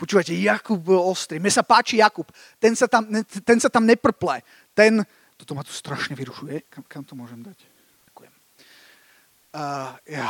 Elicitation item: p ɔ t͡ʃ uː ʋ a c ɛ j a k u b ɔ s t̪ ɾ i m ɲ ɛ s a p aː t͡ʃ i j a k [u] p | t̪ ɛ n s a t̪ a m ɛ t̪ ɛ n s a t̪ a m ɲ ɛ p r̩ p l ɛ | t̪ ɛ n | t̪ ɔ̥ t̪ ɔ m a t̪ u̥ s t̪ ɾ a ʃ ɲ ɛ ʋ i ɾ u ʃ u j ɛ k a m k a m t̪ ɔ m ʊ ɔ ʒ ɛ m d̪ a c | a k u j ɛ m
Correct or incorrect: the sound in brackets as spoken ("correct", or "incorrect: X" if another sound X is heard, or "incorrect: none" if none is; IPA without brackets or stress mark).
correct